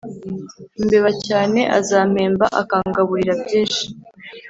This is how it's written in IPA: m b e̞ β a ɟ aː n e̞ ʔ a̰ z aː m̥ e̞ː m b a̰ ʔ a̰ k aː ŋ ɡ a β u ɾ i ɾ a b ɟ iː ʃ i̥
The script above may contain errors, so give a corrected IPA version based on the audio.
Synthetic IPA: m b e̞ β a c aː n e̞ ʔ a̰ z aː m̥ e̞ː m b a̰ ʔ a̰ k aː ŋ ɡ a β u ɾ i ɾ a b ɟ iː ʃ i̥